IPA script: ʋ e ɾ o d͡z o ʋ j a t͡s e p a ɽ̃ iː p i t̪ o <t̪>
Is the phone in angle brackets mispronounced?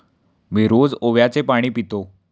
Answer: yes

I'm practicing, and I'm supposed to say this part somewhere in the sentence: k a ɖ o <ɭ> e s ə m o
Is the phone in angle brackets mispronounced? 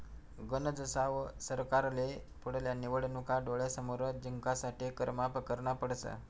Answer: no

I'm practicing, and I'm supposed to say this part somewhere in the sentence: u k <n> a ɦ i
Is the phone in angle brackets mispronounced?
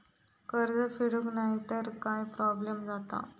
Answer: no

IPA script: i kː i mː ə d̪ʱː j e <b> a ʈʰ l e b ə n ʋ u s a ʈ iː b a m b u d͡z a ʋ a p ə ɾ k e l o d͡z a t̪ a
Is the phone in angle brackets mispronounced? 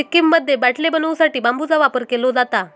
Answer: no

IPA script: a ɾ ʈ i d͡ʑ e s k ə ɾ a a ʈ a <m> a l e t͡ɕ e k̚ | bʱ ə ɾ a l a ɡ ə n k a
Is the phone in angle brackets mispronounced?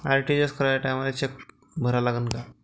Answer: no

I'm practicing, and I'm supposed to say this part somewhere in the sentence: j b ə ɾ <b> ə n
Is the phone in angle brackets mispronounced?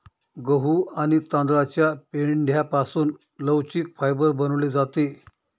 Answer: no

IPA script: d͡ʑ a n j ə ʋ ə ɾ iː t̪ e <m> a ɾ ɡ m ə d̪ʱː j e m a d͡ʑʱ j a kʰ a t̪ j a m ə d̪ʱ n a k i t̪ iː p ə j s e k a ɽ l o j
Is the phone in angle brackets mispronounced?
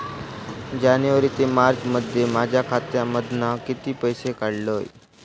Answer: no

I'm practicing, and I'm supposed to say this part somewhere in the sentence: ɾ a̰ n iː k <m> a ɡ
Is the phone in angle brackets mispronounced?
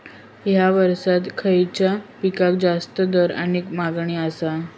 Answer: no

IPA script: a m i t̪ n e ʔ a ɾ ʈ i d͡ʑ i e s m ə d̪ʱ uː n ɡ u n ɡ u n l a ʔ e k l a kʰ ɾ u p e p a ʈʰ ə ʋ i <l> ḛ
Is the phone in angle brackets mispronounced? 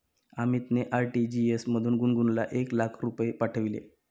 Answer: no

